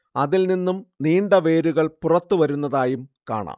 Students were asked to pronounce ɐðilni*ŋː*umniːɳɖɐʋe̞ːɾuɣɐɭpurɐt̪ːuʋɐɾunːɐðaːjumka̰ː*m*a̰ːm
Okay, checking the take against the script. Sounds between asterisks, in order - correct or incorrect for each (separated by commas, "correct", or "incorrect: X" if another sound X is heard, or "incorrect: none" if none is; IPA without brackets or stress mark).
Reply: incorrect: nː, incorrect: ɳ